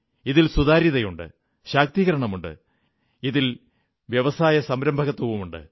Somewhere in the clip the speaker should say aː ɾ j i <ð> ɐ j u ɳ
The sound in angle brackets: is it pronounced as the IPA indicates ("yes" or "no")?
yes